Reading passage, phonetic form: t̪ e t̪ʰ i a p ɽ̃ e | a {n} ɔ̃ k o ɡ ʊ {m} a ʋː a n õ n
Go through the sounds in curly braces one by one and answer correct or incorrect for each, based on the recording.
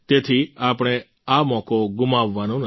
incorrect, correct

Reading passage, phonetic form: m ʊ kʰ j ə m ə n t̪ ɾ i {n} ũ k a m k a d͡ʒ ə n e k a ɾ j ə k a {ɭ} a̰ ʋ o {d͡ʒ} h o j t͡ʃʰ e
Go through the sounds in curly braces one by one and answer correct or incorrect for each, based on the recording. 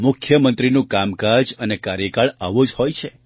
correct, correct, correct

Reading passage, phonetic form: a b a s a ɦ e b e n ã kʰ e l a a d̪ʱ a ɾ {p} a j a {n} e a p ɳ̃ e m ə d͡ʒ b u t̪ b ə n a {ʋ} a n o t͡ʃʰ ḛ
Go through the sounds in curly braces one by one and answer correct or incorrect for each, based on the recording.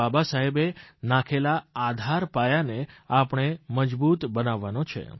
correct, correct, incorrect

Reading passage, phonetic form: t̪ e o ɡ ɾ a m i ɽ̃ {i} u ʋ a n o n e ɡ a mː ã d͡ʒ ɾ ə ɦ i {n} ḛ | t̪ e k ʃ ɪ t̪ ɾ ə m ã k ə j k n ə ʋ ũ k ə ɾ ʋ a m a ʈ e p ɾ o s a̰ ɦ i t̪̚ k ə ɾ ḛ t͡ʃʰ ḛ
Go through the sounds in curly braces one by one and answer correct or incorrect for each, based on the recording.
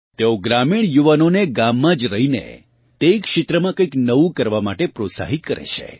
incorrect, correct

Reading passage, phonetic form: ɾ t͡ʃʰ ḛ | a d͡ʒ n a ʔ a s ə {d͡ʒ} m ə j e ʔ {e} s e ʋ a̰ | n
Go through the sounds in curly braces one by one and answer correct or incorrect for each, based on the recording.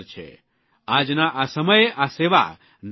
incorrect, incorrect

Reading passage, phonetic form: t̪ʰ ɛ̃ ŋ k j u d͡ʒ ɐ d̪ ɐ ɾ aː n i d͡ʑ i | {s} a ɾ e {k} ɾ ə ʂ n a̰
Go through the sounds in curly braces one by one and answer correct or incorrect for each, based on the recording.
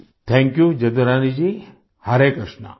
incorrect, correct

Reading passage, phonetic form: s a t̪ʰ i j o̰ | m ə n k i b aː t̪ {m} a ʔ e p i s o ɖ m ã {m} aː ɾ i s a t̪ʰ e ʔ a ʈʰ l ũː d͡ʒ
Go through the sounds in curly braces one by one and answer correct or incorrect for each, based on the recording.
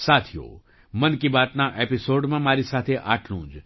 incorrect, correct

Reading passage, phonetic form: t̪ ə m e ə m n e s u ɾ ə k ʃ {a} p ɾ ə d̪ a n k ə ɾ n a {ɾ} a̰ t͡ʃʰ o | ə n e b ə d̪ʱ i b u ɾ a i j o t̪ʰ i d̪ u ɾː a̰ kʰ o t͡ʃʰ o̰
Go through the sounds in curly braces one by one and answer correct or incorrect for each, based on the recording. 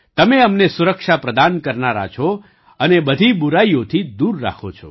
correct, correct

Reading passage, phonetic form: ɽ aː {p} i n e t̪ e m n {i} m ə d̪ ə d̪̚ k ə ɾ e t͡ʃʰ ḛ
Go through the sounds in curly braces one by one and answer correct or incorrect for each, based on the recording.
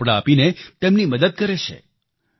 correct, correct

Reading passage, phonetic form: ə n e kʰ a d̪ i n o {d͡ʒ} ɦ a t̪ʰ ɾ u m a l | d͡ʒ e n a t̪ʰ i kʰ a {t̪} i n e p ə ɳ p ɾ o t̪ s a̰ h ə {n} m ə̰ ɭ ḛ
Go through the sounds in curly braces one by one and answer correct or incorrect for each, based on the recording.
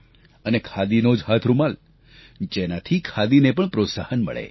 correct, incorrect, correct

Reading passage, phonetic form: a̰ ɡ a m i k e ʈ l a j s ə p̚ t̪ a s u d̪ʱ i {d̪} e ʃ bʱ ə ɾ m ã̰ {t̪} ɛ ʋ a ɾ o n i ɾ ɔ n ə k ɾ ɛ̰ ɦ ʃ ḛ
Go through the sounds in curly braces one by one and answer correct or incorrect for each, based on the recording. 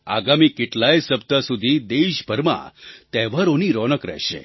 correct, correct

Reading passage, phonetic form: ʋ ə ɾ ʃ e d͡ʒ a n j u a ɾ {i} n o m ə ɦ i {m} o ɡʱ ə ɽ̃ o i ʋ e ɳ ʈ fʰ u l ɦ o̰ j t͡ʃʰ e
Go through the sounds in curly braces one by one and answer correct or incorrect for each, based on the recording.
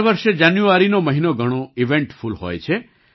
correct, incorrect

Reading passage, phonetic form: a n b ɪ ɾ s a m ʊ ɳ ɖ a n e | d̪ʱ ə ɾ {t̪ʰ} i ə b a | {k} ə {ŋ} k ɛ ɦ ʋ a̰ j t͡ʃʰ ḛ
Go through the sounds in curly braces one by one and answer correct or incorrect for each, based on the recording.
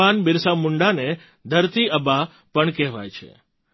incorrect, incorrect, incorrect

